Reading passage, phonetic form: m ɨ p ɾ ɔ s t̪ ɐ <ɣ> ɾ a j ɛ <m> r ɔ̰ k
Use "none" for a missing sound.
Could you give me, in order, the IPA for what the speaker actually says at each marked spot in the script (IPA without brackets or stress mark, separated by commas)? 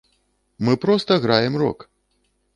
ɣ, m